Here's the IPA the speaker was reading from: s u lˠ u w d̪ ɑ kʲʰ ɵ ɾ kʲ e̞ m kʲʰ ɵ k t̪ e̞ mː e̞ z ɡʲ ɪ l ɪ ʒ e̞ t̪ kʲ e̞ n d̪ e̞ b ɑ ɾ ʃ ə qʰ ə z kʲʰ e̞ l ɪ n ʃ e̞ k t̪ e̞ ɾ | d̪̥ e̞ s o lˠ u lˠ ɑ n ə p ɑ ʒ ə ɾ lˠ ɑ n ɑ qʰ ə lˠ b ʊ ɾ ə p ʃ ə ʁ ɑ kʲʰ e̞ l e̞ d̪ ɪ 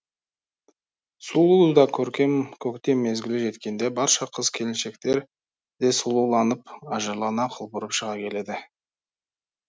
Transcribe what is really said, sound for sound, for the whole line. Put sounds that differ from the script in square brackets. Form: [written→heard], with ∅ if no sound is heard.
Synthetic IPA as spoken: s u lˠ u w d̪ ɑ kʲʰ ɵ ɾ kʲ e̞ m kʲʰ ɵ k t̪ e̞ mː e̞ z ɡʲ ɪ l ɪ ʒ e̞ t̪ kʲ e̞ n d̪ e̞ b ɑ ɾ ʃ [ə→ɑ] qʰ ə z kʲʰ e̞ l ɪ n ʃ e̞ k t̪ e̞ ɾ | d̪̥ e̞ s [o→u] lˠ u lˠ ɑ n ə p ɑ ʒ ə ɾ lˠ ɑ n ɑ qʰ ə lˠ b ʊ ɾ ə p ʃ ə ʁ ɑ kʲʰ e̞ l e̞ d̪ ɪ